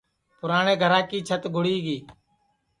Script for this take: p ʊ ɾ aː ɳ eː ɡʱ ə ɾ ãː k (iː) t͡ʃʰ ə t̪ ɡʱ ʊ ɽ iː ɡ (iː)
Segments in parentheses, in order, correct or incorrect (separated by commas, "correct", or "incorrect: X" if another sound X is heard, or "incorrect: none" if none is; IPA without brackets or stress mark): correct, correct